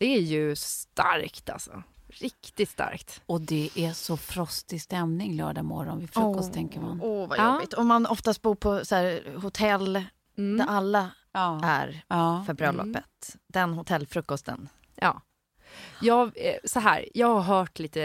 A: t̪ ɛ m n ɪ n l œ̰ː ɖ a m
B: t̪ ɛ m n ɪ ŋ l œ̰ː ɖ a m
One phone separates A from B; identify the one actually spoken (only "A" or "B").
B